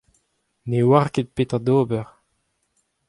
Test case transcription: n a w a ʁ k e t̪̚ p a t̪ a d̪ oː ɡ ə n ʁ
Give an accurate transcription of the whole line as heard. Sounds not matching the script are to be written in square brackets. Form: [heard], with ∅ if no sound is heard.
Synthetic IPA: n [e] w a ʁ k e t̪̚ p [e] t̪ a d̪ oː [b] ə [∅] ʁ